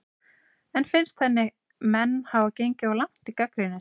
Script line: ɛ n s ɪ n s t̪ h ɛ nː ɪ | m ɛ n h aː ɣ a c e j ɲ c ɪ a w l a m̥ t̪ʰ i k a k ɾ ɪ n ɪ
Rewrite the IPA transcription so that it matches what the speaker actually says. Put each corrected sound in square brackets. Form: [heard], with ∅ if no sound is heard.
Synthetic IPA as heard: ɛ n [f] ɪ n s t̪ [θ] ɛ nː ɪ | m ɛ [nː] h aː [v] a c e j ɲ c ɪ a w l a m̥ [t̪] i k a k ɾ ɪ n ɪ